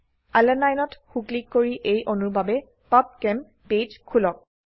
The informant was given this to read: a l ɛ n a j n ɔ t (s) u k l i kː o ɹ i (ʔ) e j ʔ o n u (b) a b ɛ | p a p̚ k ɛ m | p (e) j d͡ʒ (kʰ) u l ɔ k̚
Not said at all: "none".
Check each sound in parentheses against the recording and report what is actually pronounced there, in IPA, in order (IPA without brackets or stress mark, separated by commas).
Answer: x, ʔ, b, e, kʰ